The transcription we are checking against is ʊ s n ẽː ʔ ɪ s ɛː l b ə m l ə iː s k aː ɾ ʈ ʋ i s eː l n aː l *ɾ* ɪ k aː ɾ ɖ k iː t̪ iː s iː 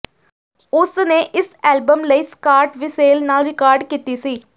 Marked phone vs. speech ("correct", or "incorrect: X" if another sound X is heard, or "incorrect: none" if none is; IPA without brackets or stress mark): correct